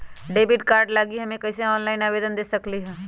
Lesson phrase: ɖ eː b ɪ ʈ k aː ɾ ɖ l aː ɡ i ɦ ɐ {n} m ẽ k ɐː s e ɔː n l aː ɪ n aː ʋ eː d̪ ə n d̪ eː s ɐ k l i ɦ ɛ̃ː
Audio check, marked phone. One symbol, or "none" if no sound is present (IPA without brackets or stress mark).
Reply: none